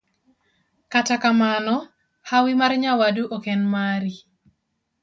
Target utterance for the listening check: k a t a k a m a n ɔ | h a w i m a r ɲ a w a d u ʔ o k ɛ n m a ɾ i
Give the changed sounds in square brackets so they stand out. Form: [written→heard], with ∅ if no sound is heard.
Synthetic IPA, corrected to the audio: k a t a k a m a n ɔ | h a w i m a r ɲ a w a d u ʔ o k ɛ n m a ɾ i